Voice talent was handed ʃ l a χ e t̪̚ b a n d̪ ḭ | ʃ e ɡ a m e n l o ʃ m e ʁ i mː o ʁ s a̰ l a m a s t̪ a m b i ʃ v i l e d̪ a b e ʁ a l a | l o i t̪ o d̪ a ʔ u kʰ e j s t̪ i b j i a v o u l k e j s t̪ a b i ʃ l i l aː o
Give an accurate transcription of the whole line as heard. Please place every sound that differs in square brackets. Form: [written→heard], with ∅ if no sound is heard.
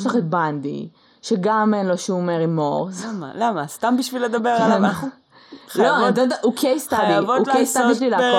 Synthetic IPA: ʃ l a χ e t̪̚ b a n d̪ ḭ | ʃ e ɡ a m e n l o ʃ m e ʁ i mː o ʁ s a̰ l a m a s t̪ a m b i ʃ v i l e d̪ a b e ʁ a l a | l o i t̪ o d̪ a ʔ u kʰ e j s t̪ [i→a] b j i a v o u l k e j s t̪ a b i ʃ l i l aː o